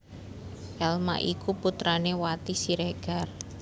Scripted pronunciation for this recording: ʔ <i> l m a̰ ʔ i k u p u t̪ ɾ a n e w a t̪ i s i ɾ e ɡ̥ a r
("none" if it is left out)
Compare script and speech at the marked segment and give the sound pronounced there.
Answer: ɛ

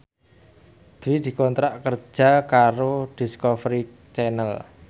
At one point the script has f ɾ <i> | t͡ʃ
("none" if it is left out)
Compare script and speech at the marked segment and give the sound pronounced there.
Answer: i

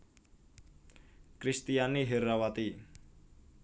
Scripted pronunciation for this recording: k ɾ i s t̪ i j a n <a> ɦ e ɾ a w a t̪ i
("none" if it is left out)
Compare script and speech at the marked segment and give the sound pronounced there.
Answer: i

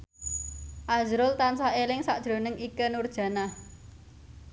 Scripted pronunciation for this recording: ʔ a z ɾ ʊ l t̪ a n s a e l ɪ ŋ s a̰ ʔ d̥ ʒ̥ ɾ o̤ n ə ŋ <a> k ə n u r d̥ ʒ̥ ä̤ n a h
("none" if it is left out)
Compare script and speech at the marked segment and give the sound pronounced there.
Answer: i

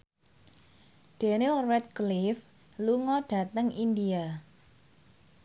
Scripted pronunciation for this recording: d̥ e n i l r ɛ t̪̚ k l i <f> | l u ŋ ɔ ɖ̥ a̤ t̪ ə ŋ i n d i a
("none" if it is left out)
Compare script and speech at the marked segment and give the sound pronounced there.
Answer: f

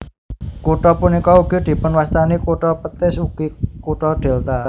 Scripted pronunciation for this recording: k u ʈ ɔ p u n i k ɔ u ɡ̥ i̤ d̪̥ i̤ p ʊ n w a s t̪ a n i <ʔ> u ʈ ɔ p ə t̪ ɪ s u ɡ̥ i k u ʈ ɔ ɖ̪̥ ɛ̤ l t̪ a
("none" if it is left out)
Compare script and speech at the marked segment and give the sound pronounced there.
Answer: k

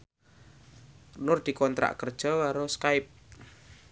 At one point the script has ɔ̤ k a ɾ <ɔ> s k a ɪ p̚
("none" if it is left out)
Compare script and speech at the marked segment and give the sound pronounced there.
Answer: o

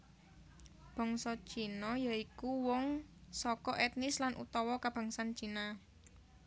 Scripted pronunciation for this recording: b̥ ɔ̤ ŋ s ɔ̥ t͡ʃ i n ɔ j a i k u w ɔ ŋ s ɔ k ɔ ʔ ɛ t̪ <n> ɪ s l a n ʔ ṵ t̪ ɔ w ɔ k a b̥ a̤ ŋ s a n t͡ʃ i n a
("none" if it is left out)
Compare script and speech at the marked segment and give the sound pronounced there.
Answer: n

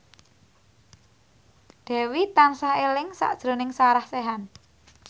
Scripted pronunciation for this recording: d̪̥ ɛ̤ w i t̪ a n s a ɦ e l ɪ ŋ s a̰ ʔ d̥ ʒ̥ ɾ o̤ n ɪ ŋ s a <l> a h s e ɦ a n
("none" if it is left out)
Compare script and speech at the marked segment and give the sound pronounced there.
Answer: ɾ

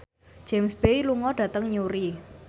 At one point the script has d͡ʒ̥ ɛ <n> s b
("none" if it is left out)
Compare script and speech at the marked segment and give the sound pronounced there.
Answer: m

